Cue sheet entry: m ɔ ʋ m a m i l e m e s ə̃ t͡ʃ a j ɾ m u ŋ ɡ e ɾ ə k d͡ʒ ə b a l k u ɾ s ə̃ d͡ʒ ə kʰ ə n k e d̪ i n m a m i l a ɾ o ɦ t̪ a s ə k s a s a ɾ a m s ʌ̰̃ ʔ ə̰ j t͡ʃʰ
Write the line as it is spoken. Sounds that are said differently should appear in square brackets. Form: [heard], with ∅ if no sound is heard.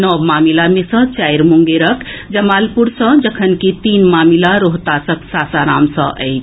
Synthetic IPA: [n] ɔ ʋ m a m i l [a] m e s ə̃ t͡ʃ a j ɾ m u ŋ ɡ e ɾ ə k d͡ʒ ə [m] a l [p] u ɾ s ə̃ d͡ʒ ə kʰ ə n k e [t̪] i n m a m i l a ɾ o ɦ t̪ a s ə k s a s a ɾ a m s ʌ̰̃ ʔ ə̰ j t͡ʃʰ